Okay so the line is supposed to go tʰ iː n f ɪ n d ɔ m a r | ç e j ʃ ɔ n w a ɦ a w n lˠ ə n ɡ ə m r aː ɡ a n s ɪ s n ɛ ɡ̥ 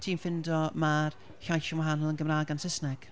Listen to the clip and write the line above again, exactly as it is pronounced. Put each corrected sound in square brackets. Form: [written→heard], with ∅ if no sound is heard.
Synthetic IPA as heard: tʰ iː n f ɪ n d ɔ m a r | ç [e→a] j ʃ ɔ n w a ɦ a [w→∅] n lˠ ə n ɡ ə m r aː ɡ a n s ɪ s n ɛ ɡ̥